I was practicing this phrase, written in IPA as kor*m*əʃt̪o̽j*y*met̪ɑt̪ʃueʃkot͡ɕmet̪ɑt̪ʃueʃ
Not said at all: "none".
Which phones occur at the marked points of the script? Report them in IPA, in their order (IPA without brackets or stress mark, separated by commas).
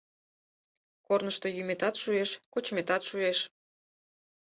n, y